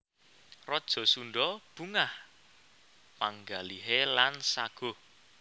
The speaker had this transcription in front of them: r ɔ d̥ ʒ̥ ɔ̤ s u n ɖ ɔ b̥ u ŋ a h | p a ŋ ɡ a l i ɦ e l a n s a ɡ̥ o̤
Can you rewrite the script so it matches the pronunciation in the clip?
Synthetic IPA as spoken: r ɔ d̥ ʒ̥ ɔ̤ s u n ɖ ɔ b̥ u ŋ a h | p a ŋ ɡ a l i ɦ e l a n s a ɡ̥ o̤